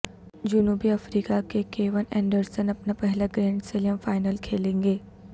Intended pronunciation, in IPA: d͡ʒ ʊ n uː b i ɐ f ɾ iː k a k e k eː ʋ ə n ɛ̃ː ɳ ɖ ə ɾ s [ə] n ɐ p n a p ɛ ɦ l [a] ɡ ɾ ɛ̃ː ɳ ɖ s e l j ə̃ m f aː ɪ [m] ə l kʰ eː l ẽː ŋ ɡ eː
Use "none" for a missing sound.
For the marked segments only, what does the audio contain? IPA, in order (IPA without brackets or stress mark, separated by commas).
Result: ə, a, n